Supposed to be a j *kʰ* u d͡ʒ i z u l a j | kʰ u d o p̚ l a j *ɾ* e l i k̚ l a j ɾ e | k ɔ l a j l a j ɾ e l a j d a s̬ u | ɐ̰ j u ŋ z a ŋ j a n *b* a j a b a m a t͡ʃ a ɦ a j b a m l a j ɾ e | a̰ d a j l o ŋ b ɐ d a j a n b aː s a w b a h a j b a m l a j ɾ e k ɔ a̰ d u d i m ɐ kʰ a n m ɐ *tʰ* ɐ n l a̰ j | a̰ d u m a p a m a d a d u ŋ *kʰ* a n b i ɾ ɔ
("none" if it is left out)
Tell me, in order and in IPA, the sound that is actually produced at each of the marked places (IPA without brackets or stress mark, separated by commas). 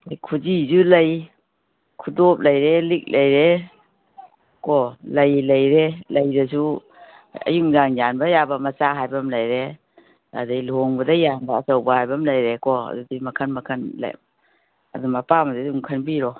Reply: kʰ, ɾ, b, kʰ, kʰ